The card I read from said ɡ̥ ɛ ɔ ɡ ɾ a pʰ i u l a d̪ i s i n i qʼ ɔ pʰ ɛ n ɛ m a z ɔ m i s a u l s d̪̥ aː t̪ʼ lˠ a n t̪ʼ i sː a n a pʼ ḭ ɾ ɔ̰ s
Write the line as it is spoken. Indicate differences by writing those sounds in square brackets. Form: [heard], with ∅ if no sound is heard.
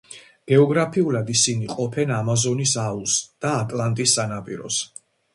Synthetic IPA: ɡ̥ ɛ ɔ ɡ ɾ a pʰ i u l a d̪ i s i n i qʼ ɔ pʰ ɛ n [a] m a z ɔ [n] i s a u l s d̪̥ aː t̪ʼ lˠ a n t̪ʼ i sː a n a pʼ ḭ ɾ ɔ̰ s